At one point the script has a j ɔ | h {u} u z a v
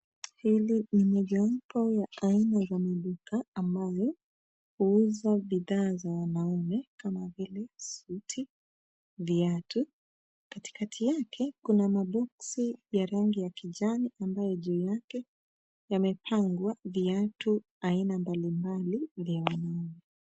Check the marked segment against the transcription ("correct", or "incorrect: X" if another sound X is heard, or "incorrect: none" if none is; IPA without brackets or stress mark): correct